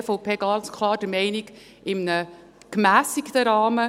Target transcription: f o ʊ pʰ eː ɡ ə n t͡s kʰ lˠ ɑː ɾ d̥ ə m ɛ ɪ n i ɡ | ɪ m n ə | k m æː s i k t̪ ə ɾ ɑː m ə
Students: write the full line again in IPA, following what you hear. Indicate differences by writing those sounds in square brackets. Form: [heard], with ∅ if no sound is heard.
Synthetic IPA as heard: f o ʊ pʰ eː ɡ [ɑ] n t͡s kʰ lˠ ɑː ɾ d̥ ə m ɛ ɪ n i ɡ | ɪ m n ə | k m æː s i k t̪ ə ɾ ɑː m ə